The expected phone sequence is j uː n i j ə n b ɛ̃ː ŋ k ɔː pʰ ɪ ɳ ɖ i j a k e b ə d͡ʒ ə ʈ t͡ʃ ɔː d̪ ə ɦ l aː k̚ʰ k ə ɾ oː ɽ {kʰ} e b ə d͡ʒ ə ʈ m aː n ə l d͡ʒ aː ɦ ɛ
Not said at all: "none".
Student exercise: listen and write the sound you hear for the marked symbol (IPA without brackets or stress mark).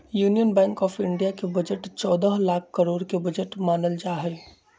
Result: k